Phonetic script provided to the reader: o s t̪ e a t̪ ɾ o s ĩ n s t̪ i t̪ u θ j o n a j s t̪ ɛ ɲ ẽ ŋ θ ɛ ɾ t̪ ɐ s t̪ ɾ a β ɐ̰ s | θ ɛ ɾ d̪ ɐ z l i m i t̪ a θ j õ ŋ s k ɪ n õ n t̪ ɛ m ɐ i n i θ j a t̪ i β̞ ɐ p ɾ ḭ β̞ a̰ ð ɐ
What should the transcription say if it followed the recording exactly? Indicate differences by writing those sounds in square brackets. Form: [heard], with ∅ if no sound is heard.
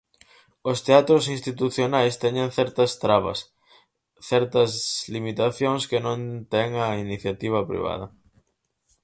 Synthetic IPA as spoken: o s t̪ e a t̪ ɾ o s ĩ n s t̪ i t̪ u θ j o n a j s t̪ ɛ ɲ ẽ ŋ θ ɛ ɾ t̪ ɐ s t̪ ɾ a β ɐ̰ s | θ ɛ ɾ [t̪] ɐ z l i m i t̪ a θ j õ ŋ s k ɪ n õ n t̪ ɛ [ŋ] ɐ i n i θ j a t̪ i β̞ ɐ p ɾ ḭ β̞ a̰ ð ɐ